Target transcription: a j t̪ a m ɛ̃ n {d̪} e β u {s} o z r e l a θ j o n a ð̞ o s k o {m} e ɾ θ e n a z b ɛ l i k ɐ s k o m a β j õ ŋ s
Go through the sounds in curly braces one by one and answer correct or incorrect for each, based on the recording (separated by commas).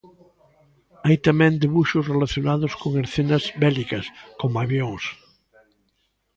correct, incorrect, incorrect